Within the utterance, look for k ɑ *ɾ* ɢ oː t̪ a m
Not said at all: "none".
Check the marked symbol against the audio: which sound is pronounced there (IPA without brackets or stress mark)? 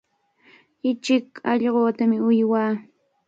ʎ